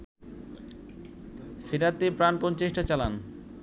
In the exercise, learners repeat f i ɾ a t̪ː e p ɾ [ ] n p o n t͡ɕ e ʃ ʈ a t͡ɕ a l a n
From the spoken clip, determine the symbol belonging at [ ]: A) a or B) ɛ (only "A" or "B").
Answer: A